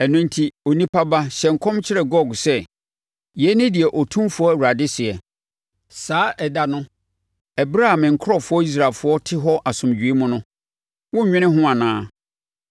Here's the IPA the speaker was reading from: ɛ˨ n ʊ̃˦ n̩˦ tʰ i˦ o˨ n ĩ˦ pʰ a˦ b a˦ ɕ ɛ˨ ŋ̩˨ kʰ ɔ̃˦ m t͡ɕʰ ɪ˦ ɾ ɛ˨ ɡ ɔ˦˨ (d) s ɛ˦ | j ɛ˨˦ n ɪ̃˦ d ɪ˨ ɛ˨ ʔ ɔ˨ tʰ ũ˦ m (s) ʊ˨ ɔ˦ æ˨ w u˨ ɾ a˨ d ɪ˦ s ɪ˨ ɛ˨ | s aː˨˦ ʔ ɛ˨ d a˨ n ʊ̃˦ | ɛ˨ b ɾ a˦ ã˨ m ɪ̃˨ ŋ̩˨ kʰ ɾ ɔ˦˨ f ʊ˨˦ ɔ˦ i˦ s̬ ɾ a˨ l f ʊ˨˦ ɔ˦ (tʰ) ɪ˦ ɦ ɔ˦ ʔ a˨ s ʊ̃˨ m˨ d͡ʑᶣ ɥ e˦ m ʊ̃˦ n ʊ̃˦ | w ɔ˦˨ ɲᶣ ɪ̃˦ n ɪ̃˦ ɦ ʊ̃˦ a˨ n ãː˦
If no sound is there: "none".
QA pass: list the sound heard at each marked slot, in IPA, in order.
ɡ, f, tʰ

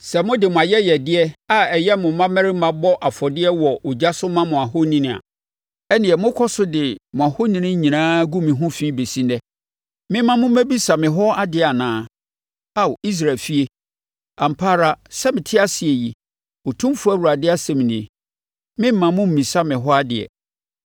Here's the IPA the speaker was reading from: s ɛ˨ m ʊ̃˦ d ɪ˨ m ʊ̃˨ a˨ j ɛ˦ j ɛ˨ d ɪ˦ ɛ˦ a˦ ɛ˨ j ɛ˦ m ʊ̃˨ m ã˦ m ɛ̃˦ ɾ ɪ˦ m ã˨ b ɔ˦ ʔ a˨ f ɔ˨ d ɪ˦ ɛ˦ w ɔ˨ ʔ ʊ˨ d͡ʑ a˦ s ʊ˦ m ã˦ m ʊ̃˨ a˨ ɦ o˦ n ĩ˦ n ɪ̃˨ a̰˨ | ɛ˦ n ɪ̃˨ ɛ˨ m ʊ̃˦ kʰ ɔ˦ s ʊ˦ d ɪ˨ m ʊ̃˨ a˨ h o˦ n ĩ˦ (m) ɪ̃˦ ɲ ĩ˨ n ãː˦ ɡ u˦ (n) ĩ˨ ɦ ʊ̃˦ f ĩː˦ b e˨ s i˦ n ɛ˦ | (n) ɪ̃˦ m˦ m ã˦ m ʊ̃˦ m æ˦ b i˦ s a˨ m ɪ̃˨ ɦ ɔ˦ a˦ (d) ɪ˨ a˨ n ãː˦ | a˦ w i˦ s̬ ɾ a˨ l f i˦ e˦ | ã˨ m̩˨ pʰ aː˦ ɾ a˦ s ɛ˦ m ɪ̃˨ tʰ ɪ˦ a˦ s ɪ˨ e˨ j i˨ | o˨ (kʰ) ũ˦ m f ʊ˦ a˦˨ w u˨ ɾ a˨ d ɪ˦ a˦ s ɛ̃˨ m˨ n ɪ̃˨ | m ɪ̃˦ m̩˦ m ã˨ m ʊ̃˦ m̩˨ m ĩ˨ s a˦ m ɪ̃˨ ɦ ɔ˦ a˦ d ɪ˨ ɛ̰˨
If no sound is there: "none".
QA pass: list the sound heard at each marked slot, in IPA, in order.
n, m, m, d, tʰ

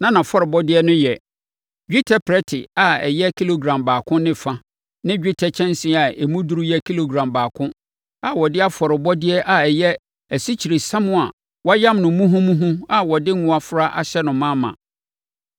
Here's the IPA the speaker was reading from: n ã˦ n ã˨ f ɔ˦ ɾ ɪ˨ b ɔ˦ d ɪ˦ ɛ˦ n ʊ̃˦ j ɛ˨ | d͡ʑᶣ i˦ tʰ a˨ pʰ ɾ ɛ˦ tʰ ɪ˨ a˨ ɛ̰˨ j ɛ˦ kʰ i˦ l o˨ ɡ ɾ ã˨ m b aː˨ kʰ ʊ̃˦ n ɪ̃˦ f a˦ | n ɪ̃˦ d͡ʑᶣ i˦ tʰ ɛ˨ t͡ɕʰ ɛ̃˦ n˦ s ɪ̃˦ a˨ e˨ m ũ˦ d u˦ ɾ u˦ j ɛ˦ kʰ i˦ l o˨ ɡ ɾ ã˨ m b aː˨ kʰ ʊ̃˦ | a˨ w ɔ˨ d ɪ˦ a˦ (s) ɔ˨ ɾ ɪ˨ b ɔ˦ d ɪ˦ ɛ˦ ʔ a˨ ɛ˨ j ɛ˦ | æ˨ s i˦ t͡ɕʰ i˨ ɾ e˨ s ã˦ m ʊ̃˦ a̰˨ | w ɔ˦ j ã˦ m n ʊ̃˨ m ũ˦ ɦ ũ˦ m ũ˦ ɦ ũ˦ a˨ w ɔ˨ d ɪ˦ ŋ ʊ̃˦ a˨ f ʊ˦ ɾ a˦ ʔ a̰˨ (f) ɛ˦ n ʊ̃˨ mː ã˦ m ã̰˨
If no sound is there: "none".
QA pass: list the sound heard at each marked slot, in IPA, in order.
f, ɕ

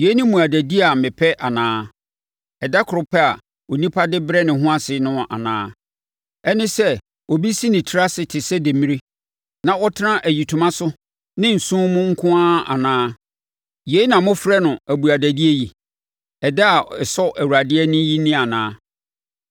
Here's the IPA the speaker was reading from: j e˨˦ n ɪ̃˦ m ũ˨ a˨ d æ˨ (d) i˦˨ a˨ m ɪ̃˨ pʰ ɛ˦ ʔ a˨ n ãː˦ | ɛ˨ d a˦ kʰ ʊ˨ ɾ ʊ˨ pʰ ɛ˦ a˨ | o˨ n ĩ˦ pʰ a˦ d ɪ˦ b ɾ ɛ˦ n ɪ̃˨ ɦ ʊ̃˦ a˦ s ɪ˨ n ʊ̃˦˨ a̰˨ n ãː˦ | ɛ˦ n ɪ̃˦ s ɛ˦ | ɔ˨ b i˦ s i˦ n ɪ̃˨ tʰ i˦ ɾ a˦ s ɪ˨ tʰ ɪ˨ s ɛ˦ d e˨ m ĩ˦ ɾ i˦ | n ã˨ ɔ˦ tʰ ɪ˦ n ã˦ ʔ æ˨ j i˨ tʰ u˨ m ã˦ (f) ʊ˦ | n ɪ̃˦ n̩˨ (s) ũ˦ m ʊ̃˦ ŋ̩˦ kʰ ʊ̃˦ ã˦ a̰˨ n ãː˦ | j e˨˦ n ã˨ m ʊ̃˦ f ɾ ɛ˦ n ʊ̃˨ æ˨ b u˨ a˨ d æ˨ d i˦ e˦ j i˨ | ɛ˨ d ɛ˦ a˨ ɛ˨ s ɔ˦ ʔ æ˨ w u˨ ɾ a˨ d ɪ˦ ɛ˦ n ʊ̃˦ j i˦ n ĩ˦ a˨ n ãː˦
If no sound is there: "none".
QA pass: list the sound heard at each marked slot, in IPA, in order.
d, s, s

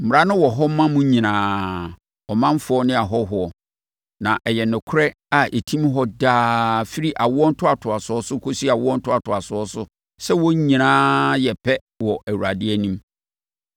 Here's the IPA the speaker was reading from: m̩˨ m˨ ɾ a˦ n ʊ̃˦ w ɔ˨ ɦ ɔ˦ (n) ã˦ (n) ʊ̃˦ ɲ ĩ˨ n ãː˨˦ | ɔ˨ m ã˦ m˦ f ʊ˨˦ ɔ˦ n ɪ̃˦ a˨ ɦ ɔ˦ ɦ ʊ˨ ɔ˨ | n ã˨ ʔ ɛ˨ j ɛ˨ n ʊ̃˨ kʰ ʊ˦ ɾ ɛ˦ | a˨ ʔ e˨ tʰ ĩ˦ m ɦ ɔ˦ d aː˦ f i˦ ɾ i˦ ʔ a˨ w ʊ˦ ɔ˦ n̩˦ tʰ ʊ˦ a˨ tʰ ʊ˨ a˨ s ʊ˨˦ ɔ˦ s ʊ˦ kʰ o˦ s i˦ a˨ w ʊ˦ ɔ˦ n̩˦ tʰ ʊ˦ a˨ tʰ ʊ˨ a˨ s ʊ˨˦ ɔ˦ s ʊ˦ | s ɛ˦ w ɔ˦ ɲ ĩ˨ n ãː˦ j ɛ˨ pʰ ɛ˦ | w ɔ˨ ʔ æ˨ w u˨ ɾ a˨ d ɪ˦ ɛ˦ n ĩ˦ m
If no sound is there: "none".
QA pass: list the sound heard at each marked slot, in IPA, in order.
m, m

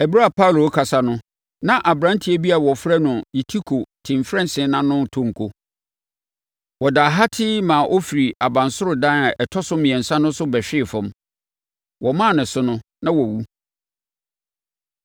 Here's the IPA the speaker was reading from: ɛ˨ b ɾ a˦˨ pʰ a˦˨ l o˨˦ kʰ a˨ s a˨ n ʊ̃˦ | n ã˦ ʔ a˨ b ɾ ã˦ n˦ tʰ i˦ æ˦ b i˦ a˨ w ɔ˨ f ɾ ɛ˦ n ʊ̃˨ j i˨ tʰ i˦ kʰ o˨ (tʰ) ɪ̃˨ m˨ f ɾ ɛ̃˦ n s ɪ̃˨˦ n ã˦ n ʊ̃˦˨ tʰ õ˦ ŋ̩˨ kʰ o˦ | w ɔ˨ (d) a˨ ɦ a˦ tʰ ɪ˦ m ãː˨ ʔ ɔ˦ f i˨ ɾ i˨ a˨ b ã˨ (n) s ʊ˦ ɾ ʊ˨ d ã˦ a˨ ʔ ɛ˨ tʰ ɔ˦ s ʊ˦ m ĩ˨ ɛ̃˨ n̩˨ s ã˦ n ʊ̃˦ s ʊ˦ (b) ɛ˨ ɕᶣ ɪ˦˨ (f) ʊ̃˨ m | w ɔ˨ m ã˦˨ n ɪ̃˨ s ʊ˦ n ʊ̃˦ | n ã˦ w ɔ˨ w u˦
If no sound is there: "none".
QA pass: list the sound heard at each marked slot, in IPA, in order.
tʰ, d, n, b, f

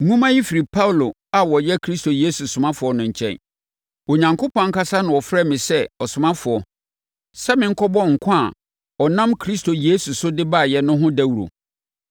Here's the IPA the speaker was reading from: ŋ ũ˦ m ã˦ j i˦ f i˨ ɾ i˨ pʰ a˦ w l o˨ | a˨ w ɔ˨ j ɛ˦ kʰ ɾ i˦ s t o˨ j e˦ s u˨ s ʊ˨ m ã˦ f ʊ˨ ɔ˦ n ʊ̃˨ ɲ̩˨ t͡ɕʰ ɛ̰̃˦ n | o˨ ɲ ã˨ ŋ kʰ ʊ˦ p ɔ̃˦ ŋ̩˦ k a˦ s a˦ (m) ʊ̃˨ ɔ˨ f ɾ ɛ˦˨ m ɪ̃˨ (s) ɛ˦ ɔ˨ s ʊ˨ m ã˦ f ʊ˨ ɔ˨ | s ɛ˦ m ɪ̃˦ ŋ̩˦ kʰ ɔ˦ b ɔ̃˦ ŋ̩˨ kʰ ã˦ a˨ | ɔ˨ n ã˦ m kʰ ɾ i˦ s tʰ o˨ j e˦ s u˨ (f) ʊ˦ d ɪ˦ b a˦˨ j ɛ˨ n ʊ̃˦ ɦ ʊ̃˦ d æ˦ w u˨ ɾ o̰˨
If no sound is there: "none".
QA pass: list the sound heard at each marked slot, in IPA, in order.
n, s, s

